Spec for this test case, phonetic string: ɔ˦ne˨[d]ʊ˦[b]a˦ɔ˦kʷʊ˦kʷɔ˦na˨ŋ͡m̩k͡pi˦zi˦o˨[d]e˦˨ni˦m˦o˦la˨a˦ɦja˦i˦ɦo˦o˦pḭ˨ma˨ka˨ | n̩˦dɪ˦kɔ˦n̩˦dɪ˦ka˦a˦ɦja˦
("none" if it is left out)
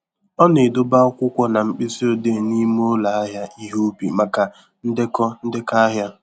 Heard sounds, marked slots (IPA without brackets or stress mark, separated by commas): d, b, d